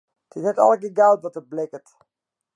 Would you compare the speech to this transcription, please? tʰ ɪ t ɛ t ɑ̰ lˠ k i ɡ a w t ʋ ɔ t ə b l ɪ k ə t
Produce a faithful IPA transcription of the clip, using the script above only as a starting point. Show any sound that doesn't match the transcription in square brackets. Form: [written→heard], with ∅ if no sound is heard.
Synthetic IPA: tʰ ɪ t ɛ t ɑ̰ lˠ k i ɡ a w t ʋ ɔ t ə b l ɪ k ə t